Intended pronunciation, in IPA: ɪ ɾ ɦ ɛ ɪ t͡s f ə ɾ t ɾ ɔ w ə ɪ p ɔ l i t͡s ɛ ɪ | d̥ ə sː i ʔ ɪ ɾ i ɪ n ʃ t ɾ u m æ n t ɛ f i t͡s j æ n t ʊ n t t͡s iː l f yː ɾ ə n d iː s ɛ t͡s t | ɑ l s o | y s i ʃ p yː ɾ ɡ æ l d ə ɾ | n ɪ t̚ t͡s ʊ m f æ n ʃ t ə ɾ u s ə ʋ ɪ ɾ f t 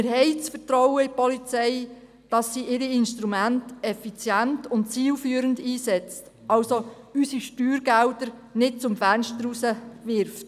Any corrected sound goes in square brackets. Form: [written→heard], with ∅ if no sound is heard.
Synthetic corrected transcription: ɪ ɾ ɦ ɛ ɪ t͡s f ə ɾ t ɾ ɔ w ə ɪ p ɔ l i t͡s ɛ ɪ | d̥ [ə→ɑ] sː i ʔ ɪ ɾ i ɪ n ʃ t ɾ u m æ n t ɛ f i t͡s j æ n t ʊ n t t͡s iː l f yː ɾ ə n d iː s ɛ t͡s t | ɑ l s o | y s i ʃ [p→t] yː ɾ ɡ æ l d ə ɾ | n ɪ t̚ t͡s ʊ m f æ n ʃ t ə ɾ u s ə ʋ ɪ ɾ f t